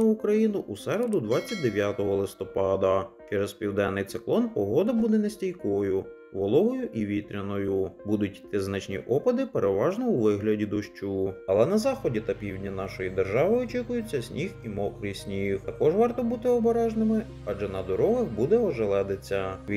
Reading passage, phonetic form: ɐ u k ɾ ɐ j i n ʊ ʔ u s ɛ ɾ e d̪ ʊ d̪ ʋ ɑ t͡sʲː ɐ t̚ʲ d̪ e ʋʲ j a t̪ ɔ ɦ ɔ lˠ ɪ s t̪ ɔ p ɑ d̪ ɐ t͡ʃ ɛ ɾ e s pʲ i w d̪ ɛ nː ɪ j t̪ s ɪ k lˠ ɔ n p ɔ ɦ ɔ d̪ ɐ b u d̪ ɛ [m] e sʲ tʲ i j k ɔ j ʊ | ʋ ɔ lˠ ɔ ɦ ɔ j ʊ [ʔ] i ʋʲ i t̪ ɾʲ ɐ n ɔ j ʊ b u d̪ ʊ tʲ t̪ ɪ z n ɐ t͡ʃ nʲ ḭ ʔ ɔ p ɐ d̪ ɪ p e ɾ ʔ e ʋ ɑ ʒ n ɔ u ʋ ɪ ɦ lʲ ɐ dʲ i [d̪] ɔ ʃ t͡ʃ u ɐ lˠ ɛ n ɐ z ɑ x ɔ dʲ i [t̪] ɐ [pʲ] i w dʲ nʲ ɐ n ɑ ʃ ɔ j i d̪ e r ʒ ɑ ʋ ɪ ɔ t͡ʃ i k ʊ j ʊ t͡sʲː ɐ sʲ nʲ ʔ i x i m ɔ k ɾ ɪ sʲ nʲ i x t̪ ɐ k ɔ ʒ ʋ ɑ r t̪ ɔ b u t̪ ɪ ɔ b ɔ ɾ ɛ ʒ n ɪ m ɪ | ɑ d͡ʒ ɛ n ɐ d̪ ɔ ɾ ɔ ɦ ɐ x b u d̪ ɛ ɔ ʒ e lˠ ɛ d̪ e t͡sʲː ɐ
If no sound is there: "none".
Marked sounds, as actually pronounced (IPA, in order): n, ʔ, d̪, t̪, pʲ

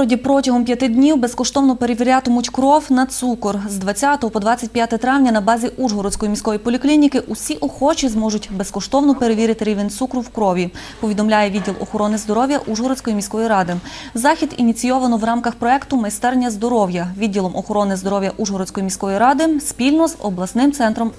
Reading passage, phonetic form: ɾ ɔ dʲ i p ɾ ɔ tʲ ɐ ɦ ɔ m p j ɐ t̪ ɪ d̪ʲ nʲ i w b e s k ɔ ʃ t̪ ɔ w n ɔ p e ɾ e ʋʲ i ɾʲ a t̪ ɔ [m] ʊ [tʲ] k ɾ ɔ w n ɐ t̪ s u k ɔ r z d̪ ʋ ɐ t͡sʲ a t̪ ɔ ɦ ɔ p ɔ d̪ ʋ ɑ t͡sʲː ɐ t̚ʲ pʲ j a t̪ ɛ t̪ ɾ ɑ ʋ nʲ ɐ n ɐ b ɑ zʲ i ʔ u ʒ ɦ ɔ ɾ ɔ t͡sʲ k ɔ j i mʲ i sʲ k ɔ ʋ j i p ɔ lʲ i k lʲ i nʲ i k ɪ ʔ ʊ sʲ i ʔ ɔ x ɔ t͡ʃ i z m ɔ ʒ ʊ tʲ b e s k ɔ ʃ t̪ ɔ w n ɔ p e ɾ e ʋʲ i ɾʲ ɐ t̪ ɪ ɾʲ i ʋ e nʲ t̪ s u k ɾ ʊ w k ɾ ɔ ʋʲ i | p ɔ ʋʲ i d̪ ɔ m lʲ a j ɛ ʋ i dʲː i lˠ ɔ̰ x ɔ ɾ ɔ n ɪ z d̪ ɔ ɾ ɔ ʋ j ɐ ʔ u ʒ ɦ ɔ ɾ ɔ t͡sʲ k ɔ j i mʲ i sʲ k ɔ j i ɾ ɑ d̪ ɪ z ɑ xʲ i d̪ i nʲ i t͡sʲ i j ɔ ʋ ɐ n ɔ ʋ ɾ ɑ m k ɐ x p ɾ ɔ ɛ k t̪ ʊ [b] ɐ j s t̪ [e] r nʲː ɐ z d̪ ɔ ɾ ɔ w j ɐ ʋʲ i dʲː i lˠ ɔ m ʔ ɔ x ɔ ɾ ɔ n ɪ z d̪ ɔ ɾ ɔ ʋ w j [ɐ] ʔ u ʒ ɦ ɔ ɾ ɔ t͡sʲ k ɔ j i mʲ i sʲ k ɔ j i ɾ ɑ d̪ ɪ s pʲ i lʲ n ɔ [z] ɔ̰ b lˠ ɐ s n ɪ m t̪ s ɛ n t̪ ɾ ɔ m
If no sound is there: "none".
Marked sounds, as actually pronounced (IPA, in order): m, tʲ, m, ɛ, ɐ, z

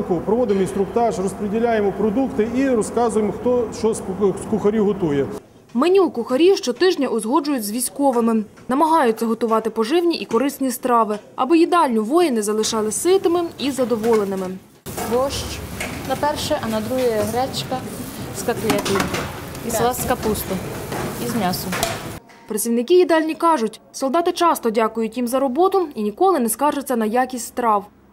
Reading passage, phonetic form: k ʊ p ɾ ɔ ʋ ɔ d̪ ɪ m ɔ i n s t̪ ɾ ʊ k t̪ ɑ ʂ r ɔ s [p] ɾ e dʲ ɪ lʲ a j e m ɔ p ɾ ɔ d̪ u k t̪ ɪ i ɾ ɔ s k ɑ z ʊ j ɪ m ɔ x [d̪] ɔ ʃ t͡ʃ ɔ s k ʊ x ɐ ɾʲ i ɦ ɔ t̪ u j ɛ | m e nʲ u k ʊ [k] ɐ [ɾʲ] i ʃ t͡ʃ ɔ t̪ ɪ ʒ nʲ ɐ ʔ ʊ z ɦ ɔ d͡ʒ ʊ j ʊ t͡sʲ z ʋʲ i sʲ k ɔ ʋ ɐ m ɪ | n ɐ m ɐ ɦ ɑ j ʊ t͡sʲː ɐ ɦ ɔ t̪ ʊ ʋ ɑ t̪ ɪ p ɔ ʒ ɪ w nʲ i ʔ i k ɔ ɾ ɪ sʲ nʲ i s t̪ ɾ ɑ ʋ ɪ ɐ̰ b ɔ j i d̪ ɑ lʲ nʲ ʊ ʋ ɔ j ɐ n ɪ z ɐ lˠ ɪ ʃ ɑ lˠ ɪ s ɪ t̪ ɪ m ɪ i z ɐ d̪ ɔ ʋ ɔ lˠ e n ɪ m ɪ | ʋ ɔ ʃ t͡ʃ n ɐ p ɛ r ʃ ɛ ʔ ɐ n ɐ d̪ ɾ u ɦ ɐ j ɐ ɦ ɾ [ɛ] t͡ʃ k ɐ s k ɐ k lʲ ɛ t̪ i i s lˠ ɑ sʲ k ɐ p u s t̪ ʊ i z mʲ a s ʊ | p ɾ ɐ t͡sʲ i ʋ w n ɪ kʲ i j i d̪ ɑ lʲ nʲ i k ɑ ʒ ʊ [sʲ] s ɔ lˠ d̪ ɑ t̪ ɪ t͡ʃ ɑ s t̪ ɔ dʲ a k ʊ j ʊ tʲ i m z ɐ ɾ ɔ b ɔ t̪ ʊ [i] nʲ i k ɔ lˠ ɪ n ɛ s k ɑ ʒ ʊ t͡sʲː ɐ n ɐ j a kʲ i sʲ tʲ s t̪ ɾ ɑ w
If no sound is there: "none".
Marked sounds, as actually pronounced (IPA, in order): p, t̪, x, ɾʲ, ɛ, tʲ, i

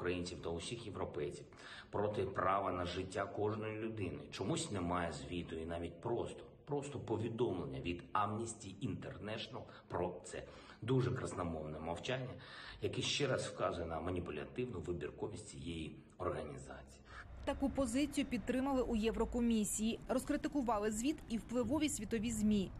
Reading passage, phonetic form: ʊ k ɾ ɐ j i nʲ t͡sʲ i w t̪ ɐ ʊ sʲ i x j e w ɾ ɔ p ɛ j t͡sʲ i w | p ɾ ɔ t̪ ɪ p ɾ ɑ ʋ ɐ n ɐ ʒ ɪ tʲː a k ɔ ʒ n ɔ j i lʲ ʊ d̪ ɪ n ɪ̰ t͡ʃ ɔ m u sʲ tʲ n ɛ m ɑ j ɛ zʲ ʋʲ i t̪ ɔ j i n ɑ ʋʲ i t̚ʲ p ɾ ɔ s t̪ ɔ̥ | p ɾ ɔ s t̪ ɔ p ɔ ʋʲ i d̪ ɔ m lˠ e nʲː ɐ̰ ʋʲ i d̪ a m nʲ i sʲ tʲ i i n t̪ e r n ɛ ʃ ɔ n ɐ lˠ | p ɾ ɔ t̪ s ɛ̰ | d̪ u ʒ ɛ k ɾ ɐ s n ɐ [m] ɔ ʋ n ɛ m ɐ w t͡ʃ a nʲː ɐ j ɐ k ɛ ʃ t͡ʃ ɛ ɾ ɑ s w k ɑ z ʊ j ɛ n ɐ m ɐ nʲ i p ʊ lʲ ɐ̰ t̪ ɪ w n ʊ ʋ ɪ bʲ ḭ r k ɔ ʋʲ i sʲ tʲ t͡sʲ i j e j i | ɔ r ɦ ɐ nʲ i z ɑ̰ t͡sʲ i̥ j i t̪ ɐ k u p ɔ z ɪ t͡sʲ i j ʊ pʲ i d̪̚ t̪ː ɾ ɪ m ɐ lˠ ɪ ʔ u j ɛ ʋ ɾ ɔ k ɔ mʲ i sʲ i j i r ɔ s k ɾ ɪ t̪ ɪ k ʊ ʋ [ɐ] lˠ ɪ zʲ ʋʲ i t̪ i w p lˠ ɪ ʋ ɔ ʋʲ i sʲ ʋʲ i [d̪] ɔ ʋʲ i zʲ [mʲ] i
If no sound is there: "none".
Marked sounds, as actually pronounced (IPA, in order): m, ɑ, t̪, mʲ

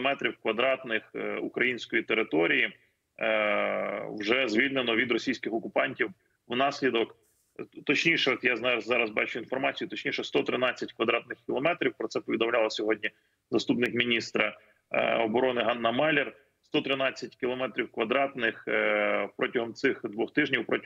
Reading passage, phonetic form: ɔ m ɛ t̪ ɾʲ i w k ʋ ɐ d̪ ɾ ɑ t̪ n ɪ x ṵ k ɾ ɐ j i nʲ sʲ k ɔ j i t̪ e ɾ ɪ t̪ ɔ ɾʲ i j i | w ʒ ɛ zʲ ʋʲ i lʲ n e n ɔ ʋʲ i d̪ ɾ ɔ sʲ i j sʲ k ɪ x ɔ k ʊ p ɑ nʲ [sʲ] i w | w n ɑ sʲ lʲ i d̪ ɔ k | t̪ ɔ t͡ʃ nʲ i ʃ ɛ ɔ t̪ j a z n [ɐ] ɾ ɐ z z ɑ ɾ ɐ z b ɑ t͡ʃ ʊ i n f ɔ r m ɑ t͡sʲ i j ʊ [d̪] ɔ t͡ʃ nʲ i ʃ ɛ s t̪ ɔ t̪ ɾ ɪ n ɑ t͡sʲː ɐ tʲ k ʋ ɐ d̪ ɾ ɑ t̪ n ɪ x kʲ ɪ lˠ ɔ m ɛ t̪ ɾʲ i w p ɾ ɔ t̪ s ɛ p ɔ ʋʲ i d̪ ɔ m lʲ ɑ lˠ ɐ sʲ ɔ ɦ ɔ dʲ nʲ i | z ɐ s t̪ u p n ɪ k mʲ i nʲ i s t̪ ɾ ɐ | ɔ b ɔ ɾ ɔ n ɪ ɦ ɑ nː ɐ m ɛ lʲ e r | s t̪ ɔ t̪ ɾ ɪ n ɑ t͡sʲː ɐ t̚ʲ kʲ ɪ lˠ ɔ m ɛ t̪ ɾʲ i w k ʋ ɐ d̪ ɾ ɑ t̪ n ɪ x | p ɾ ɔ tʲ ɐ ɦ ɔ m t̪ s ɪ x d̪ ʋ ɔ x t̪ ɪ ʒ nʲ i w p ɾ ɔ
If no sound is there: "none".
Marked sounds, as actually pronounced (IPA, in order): tʲ, ɑ, t̪

